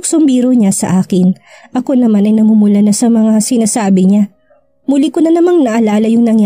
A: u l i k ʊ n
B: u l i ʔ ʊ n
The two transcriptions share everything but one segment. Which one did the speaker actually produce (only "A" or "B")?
A